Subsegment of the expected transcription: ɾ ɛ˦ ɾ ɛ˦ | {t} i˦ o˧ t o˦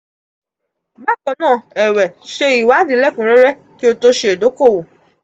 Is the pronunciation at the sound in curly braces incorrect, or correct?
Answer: incorrect